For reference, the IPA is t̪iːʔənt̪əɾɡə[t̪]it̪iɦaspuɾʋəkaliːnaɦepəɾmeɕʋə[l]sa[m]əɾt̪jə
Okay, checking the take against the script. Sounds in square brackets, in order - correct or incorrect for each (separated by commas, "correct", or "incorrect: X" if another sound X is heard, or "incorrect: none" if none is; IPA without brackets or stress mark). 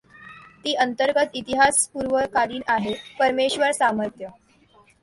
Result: correct, incorrect: ɾ, correct